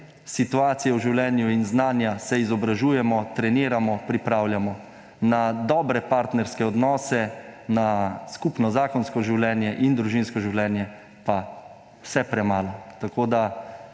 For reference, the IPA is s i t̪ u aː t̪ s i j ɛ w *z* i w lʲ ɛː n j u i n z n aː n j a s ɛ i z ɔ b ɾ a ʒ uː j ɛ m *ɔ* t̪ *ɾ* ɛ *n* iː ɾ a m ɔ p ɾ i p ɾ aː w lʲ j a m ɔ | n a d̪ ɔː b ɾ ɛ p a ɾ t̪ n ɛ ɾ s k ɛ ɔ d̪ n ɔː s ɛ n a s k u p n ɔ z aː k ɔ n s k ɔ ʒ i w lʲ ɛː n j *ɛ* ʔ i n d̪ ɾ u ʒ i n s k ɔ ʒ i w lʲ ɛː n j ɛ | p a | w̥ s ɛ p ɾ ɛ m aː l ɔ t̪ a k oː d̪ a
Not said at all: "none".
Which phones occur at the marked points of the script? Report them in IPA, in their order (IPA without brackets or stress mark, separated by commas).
ʒ, ɔ, ɾ, n, ɛ